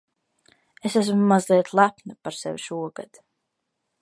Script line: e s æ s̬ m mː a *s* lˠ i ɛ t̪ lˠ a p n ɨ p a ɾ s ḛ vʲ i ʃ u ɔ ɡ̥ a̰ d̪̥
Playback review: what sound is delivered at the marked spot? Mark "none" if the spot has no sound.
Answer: z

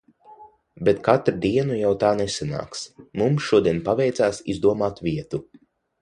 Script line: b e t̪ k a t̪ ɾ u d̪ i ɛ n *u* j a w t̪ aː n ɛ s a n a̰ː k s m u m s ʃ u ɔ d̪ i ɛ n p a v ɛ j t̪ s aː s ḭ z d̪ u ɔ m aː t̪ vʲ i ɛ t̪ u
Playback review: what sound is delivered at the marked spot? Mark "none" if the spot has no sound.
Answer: u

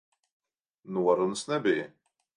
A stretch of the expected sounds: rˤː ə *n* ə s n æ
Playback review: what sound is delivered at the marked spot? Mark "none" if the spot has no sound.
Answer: n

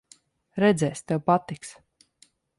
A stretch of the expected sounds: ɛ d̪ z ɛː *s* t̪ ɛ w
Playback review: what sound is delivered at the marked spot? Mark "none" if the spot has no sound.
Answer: s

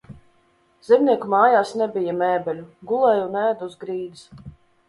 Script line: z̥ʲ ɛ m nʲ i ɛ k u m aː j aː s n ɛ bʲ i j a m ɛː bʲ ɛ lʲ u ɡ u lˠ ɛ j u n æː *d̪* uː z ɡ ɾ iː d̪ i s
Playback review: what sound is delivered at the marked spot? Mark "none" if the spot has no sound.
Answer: d̪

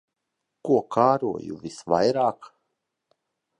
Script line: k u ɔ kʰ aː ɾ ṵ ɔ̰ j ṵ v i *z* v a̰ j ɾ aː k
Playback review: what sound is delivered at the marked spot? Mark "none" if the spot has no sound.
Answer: s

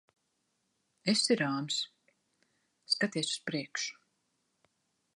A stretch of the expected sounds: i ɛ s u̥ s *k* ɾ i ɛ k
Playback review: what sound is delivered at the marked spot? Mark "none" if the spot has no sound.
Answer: p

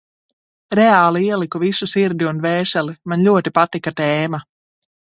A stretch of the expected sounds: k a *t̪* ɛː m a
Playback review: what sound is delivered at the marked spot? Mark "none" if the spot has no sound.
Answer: t̪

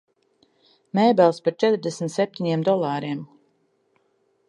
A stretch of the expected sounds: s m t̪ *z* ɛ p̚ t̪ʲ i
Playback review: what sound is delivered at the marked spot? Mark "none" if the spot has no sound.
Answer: s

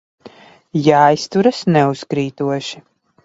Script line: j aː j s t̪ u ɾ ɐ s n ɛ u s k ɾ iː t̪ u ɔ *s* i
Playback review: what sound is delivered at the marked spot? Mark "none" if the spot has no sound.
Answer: ʃ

